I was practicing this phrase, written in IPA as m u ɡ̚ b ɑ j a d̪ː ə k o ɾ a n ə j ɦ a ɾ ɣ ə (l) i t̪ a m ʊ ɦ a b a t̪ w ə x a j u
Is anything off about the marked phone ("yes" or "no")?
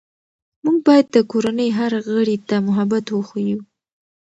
yes